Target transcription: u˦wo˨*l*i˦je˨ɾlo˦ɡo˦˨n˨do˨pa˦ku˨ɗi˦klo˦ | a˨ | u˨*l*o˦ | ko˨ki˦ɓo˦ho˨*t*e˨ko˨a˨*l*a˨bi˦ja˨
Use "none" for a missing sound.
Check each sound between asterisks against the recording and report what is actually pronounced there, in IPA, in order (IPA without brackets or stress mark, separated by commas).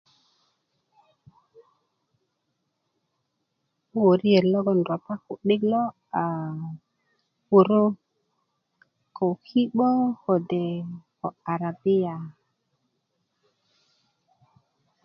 ɾ, ɾ, d, ɾ